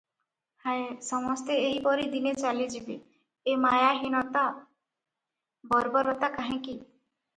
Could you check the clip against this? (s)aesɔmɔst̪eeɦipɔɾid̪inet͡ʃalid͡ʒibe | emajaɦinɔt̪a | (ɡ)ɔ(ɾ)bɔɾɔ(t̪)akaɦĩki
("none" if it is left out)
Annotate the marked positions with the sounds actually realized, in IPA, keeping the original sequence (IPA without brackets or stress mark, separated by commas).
h, b, ɾ, t̪